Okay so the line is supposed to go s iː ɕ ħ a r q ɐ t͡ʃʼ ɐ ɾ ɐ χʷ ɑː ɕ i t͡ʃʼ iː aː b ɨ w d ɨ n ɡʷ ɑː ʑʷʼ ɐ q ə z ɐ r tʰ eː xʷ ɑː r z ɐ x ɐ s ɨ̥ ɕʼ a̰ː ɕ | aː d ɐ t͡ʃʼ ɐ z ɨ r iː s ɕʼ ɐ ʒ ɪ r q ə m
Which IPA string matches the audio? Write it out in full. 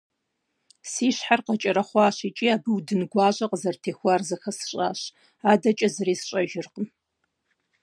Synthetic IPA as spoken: s iː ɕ ħ a r q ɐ t͡ʃʼ ɐ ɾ ɐ χʷ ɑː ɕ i t͡ʃʼ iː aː b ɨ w d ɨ n ɡʷ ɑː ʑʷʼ ɐ q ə z ɐ r tʰ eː xʷ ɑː r z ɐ x ɐ s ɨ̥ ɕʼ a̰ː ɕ | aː d ɐ t͡ʃʼ ɐ z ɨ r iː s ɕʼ ɐ ʒ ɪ r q ə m